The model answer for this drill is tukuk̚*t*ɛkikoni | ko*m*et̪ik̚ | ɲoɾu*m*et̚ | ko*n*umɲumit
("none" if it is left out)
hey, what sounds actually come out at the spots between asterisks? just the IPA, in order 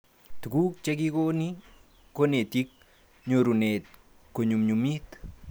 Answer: t͡ʃ, n, n, ɲ

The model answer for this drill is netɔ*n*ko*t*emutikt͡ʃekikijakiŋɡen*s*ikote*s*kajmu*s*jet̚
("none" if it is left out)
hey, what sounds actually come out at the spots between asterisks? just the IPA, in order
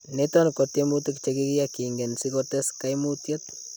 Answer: n, t, s, s, t

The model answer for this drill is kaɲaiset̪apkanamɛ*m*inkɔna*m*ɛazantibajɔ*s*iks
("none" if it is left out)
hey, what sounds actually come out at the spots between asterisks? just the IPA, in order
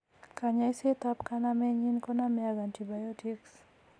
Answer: ɲ, m, t

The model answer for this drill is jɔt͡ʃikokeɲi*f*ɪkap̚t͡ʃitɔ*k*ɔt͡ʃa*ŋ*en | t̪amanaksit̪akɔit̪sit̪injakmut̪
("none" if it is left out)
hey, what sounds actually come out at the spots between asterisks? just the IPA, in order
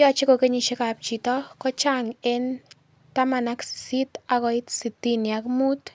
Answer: ʃ, k, ŋ

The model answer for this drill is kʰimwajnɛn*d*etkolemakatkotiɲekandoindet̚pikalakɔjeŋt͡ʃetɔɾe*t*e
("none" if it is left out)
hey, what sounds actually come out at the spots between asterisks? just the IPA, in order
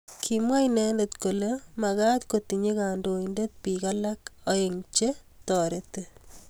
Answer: d, t

